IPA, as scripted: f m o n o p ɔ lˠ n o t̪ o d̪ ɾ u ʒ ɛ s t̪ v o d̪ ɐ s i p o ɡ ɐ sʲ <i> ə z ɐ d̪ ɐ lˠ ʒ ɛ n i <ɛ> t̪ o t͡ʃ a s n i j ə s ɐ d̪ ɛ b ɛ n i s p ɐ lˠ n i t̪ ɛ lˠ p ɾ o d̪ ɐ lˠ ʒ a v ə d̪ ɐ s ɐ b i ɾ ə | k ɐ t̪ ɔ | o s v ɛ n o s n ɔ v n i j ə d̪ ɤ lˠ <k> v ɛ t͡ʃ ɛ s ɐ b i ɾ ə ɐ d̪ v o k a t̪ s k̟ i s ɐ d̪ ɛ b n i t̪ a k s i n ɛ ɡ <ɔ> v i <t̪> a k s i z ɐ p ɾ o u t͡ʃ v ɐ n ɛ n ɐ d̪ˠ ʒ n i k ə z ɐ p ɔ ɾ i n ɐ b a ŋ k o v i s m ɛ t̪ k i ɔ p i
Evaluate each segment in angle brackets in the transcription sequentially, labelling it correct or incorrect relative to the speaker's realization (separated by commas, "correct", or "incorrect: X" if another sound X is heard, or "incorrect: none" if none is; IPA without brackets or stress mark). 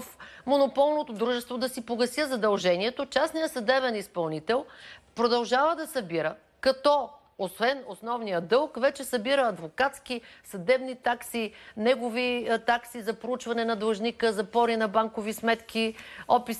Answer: incorrect: j, correct, correct, incorrect: o, correct